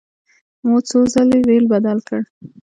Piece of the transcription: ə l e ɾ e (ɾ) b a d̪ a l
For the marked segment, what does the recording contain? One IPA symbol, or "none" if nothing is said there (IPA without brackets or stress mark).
l